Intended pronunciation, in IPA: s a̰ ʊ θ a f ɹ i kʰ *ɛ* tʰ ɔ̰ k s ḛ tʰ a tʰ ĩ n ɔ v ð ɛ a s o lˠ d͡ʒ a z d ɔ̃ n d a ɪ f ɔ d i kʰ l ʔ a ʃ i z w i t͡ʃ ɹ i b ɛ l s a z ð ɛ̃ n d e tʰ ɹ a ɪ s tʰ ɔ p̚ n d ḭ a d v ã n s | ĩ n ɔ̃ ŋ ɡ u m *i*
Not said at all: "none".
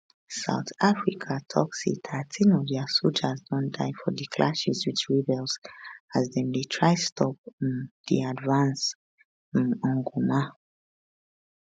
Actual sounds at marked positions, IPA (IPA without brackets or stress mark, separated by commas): a, a